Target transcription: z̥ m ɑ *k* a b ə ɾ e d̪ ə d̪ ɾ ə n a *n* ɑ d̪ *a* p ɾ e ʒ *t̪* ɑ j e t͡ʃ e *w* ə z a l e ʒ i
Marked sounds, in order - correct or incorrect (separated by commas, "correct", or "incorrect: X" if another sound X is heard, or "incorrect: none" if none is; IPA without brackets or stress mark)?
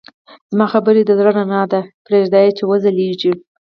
incorrect: x, correct, correct, incorrect: d̪, correct